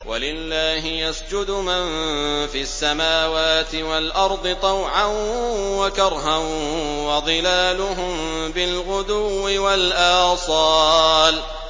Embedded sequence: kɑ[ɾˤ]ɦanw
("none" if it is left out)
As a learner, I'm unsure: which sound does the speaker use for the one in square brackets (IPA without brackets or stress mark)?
ɾˤ